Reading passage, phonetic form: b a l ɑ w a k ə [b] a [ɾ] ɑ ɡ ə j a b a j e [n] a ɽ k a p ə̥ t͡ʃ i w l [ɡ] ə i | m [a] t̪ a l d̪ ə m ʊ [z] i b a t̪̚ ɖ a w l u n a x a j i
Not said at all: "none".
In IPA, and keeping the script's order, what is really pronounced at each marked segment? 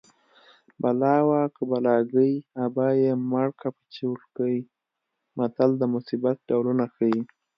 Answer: b, l, m, k, a, s

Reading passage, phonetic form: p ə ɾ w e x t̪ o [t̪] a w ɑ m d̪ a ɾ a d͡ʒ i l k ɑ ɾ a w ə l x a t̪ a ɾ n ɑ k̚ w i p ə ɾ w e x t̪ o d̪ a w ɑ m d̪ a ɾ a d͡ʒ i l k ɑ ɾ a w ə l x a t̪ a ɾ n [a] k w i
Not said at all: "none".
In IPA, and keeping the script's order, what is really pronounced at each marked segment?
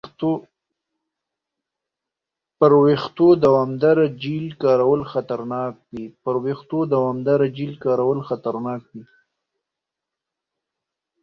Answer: d̪, ɑ

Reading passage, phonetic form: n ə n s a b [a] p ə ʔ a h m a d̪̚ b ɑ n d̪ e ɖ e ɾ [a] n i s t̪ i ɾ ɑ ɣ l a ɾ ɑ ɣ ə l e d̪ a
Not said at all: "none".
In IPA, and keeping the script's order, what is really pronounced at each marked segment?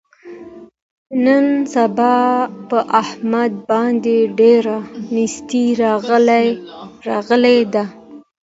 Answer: ɑ, a

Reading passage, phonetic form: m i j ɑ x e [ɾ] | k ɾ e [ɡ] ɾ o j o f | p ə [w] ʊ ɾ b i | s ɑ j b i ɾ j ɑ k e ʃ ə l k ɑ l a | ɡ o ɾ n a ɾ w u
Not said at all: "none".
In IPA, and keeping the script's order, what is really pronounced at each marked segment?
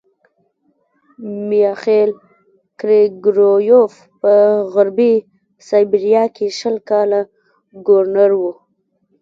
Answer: l, ɡ, ɣ

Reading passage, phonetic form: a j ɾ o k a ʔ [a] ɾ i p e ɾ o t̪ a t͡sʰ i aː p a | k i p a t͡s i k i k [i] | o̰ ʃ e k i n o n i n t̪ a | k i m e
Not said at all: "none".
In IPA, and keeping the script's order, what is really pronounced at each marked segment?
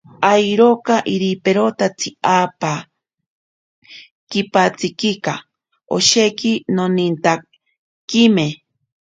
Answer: i, a

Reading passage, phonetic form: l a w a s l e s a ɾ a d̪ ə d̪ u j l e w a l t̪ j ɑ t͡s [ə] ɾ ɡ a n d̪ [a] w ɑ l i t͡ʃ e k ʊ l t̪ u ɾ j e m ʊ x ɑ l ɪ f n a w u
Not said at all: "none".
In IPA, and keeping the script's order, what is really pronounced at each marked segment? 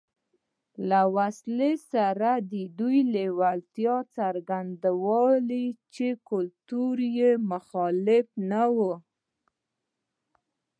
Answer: a, a

